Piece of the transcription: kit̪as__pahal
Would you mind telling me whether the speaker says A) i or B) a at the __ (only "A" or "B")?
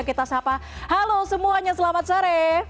B